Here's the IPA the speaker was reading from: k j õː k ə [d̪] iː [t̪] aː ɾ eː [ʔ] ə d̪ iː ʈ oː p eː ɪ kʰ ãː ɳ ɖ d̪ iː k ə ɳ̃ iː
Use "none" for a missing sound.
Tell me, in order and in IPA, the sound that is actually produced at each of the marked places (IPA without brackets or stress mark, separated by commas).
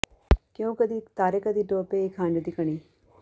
d̪, t̪, k